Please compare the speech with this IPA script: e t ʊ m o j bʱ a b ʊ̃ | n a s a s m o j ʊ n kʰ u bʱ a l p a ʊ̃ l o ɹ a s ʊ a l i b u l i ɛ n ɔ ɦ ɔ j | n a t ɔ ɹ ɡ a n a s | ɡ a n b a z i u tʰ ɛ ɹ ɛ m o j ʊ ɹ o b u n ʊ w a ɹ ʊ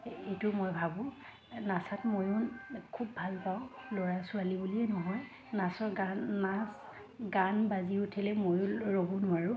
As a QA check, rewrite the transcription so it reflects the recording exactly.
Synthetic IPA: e t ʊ m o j bʱ a b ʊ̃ | n a s a t m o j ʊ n kʰ u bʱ a l p a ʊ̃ l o ɹ a s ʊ a l i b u l i ɛ n ɔ ɦ ɔ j | n a s ɔ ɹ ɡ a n a s | ɡ a n b a z i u tʰ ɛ l ɛ m o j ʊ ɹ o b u n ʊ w a ɹ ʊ